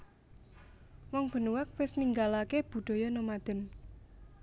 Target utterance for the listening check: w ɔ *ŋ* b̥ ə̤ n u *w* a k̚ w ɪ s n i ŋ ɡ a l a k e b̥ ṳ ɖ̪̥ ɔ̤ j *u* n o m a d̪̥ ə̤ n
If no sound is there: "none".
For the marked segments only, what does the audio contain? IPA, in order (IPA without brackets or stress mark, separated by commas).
ŋ, w, ɔ